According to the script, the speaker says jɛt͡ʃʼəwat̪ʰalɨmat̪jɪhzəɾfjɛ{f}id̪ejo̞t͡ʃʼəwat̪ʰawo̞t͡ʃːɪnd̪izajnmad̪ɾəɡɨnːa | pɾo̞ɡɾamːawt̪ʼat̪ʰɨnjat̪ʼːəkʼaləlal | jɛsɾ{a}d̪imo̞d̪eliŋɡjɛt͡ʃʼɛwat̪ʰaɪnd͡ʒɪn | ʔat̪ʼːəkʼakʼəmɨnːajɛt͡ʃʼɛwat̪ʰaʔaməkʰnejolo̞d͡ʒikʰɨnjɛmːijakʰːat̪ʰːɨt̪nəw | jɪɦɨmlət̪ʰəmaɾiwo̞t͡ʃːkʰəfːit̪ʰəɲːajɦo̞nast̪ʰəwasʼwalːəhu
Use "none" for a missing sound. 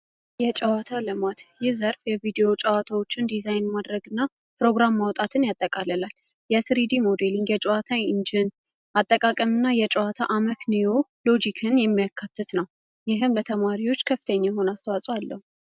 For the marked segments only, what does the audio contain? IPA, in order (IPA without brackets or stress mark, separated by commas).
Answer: v, i